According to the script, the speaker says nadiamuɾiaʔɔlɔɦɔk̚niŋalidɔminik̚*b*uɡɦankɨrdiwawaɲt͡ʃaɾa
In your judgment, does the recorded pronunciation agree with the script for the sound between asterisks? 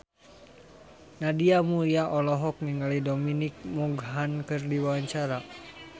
no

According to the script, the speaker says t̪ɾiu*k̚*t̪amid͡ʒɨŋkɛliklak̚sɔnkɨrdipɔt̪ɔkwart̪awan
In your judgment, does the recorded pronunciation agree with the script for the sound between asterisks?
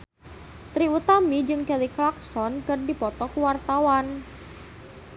no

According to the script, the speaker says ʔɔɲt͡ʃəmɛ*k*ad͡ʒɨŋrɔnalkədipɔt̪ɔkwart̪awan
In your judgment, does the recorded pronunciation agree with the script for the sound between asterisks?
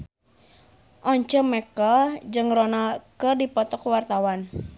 yes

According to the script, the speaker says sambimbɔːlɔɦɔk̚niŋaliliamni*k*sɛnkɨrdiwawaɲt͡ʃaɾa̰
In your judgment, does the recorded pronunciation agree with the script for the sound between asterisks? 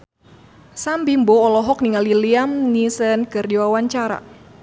no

